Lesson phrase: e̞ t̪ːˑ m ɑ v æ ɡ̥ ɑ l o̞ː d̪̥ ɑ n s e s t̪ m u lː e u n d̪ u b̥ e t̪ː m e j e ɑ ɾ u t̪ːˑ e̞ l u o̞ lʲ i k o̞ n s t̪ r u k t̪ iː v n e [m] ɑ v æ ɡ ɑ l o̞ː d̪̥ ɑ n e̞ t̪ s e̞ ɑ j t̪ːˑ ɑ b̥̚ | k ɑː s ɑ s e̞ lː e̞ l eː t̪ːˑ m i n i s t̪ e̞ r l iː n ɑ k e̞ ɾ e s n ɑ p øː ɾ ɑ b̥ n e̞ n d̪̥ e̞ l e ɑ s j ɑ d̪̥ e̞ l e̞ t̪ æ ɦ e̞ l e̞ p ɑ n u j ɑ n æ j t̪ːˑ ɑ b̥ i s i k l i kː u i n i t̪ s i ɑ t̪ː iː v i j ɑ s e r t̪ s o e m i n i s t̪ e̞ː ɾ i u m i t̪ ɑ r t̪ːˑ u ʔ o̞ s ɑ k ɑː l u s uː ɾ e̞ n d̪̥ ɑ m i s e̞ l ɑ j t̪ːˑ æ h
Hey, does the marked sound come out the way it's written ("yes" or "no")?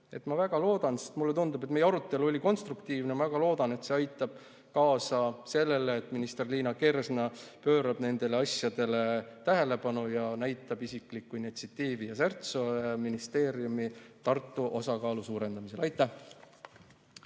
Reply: yes